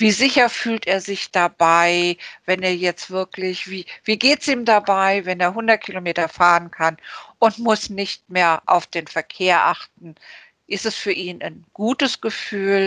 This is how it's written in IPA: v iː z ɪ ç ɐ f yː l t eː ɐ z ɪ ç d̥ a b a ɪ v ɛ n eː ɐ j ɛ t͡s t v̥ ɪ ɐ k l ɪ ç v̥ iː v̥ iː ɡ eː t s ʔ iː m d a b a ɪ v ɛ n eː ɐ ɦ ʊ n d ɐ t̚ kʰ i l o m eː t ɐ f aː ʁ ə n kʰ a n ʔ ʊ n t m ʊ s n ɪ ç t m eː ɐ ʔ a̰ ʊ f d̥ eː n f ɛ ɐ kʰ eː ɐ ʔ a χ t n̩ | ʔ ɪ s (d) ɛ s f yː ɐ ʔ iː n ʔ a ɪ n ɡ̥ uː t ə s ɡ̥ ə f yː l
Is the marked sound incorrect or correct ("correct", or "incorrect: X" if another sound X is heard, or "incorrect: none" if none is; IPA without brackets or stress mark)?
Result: incorrect: t